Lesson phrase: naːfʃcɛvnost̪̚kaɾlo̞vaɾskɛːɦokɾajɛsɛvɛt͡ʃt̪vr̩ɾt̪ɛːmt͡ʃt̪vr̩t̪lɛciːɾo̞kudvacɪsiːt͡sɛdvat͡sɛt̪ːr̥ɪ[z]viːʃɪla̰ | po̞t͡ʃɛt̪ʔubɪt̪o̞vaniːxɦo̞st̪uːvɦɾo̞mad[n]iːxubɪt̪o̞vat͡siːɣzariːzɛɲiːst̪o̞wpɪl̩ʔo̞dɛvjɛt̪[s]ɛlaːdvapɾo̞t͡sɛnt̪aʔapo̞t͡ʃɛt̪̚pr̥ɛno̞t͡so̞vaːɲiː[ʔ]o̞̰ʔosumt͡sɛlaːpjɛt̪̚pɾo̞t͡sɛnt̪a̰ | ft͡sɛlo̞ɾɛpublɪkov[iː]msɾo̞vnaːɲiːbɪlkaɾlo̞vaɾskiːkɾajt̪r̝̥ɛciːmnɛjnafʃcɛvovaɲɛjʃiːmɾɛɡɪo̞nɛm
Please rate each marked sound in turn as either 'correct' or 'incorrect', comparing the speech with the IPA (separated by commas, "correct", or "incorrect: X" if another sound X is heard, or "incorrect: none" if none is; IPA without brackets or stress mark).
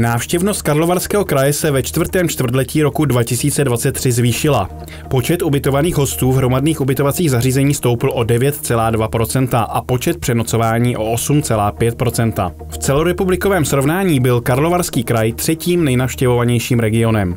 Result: correct, correct, incorrect: t͡s, correct, incorrect: ɛː